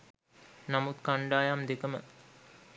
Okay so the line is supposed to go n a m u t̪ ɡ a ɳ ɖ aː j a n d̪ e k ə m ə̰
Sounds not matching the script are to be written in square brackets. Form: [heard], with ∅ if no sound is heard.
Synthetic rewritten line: n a m u t̪ [k] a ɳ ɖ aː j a [m] d̪ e k ə m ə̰